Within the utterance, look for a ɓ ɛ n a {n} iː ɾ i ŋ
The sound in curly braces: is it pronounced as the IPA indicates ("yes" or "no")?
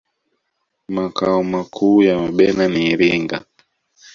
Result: yes